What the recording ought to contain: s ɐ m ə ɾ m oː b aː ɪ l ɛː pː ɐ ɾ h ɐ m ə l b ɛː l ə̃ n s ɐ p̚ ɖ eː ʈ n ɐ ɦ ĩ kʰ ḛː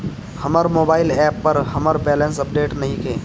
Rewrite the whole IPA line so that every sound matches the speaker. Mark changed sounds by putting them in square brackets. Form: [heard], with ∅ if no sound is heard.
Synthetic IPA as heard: [h] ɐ m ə ɾ m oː b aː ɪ l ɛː pː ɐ ɾ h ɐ m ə [ɾ] b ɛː l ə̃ n s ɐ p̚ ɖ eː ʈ n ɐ ɦ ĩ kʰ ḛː

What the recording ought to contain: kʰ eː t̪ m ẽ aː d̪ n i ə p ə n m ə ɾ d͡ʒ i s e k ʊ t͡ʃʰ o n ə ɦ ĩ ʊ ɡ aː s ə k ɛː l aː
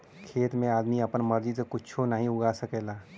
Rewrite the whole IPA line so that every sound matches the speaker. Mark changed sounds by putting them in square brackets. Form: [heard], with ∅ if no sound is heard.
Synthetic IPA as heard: kʰ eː t̪ m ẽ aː d̪ [m] i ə p ə n m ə ɾ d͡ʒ i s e k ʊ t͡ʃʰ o n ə ɦ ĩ ʊ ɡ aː s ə k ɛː l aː

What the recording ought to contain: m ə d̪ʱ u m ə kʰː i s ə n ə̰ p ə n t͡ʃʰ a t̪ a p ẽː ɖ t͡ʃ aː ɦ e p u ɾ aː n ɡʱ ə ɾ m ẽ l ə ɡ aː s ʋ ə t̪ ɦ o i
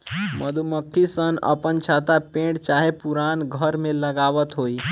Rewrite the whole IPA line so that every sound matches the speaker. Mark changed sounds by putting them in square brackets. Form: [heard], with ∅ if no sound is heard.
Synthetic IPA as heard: m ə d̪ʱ u m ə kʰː i s ə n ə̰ p ə n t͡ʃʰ a t̪ a p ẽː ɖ t͡ʃ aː ɦ e p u ɾ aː n ɡʱ ə ɾ m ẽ l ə ɡ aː [∅] ʋ ə t̪ ɦ o i

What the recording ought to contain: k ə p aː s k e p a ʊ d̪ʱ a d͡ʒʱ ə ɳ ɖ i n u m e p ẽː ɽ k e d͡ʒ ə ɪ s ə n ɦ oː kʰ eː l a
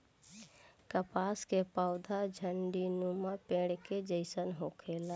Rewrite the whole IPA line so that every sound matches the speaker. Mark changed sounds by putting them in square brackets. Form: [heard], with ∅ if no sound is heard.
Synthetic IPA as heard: k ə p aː s k e p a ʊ d̪ʱ a d͡ʒʱ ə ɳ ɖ i n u m [a] p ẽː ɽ k e d͡ʒ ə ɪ s ə n ɦ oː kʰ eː l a

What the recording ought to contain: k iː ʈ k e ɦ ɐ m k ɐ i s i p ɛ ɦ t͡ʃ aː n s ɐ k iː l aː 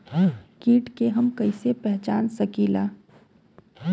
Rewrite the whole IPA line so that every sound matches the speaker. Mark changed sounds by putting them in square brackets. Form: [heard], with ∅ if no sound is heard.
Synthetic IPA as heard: k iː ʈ k e ɦ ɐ m k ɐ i s [e] p ɛ ɦ t͡ʃ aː n s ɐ k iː l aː

